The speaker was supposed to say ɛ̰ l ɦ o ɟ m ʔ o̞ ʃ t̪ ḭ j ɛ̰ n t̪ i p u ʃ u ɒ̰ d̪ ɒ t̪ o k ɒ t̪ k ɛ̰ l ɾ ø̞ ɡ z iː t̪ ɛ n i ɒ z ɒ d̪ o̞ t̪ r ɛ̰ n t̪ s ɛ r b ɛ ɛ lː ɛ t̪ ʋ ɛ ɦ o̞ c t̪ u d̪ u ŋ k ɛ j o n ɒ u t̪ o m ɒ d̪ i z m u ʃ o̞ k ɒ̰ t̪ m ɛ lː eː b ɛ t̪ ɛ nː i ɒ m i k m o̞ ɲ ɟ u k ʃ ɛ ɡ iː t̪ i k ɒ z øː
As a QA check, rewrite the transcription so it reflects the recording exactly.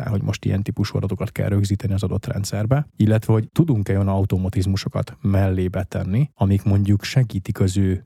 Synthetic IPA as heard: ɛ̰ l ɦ o ɟ m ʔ o̞ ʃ t̪ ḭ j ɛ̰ n t̪ i p u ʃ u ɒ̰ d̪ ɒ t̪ o k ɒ t̪ k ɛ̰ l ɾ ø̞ ɡ z iː t̪ ɛ n i ɒ z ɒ d̪ o̞ t̪ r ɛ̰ n t̪ s ɛ r b ɛ i lː ɛ t̪ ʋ ɛ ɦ o̞ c t̪ u d̪ u ŋ k ɛ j o n ɒ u t̪ o m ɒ t̪ i z m u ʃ o̞ k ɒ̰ t̪ m ɛ lː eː b ɛ t̪ ɛ nː i ɒ m i k m o̞ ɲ ɟ u k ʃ ɛ ɡ iː t̪ i k ɒ z øː